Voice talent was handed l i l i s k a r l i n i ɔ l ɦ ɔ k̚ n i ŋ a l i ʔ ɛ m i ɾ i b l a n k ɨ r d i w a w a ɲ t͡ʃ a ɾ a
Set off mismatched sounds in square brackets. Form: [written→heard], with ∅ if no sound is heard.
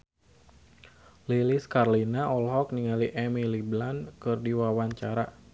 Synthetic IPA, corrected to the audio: l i l i s k a r l i n [i→a] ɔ l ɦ ɔ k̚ n i ŋ a l i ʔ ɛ m i [ɾ→l] i b l a n k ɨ r d i w a w a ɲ t͡ʃ a ɾ a